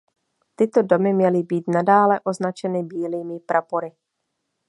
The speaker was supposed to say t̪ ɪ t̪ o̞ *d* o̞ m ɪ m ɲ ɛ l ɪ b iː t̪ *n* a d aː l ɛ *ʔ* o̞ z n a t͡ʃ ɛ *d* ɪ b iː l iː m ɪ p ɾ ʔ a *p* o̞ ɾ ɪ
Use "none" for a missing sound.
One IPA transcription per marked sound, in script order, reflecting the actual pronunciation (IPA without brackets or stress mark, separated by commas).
d, n, ʔ, n, p